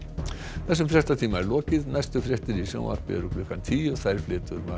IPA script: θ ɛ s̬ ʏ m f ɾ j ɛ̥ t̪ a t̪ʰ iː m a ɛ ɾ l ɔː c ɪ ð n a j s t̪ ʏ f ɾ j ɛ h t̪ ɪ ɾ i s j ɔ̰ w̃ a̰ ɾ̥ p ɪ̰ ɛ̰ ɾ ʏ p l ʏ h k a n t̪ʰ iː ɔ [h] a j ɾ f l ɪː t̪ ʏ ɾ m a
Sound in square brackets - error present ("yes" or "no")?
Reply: yes